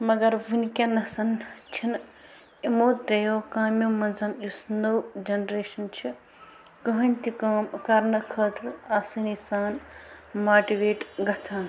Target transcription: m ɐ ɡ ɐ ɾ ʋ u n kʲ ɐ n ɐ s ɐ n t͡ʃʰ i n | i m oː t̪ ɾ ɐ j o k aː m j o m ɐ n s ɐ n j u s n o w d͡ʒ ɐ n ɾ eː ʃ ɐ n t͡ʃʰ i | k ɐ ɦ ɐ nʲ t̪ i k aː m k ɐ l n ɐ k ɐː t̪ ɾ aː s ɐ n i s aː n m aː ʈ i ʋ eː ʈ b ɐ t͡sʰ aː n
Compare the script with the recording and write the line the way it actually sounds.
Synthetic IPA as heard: m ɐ ɡ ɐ ɾ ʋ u n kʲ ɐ n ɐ s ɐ n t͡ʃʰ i n | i m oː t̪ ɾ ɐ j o k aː m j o m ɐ n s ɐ n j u s n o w d͡ʒ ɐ n ɾ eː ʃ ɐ n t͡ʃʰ i | k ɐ ɦ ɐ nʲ t̪ i k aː m k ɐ ɾ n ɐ kʰ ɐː t̪ ɾ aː s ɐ n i s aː n m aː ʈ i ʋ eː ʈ ɡ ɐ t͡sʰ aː n